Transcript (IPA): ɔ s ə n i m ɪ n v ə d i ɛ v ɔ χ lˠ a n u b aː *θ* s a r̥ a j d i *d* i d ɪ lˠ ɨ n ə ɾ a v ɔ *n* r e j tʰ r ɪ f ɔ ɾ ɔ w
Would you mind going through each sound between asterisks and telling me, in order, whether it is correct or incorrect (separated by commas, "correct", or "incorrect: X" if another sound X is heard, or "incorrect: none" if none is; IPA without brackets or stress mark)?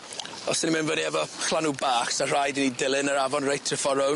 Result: incorrect: χ, incorrect: n, correct